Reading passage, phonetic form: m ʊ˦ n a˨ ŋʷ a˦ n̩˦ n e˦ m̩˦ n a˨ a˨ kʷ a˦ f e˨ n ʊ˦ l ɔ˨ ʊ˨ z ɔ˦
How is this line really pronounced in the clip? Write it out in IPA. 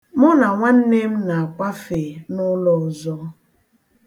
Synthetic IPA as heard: m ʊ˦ n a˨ ŋʷ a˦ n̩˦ n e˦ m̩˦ n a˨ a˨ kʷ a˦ f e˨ n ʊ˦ l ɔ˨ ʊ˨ z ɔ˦